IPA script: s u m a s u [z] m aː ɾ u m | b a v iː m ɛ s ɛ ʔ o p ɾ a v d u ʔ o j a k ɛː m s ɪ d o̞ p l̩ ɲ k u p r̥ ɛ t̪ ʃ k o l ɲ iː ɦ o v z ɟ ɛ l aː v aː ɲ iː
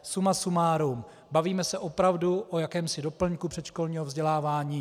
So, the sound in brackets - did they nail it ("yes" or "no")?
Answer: no